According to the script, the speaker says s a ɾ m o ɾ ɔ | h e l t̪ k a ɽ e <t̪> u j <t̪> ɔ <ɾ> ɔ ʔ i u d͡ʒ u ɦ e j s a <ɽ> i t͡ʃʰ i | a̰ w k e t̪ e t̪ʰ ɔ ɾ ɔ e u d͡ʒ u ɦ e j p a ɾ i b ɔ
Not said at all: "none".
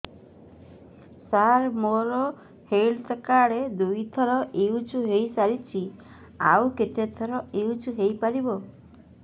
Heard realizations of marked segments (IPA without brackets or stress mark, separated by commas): d̪, t̪ʰ, ɾ, ɾ